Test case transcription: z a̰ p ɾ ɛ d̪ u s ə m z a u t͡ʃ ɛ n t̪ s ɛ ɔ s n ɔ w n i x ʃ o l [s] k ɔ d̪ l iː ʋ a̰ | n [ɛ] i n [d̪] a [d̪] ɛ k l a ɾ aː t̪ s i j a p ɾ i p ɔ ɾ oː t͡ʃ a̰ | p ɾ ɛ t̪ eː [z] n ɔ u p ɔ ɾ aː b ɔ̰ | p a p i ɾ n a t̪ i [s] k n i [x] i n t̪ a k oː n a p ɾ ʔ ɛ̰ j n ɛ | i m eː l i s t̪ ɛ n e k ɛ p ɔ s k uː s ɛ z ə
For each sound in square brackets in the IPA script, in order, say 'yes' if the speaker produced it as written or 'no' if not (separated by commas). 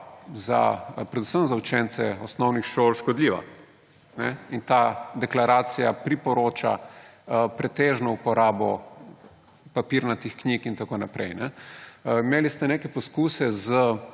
no, yes, no, yes, no, no, no